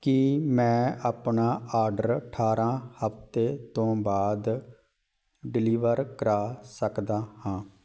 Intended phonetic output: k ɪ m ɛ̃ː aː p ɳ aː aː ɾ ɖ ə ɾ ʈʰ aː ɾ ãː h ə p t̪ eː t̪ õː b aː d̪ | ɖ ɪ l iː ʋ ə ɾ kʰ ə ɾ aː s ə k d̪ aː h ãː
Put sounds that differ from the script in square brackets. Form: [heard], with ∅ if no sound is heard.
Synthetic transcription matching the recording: k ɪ m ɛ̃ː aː p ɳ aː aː ɾ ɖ ə ɾ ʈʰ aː ɾ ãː h ə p t̪ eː t̪ õː b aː d̪ | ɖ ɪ l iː ʋ ə ɾ [k] ə ɾ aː s ə k d̪ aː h ãː